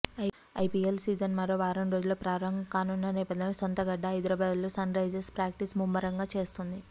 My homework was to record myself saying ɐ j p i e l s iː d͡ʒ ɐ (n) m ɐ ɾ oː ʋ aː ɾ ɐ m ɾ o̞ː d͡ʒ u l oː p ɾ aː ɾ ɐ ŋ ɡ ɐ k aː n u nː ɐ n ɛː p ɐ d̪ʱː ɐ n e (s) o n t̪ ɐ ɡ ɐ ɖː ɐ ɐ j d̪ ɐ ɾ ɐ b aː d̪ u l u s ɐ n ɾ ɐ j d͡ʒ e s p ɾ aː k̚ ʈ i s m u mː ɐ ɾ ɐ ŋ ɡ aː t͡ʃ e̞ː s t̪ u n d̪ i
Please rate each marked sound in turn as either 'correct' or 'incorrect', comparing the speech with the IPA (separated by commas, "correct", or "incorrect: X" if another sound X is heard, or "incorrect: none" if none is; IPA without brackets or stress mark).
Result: correct, correct